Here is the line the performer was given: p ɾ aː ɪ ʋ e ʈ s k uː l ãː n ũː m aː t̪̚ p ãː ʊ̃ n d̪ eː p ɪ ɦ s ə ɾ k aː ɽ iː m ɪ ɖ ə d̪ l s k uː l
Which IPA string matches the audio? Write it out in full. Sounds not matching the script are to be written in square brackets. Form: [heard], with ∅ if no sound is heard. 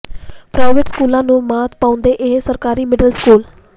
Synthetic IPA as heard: p ɾ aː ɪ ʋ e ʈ s k uː l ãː n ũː m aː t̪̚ p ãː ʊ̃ n d̪ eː [ʔ] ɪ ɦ s ə ɾ k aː [ɾ] iː m ɪ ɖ ə [∅] l s k uː l